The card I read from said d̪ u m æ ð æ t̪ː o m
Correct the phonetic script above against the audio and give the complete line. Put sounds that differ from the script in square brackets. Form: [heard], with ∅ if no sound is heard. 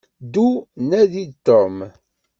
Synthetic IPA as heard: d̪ u [n] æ ð [i] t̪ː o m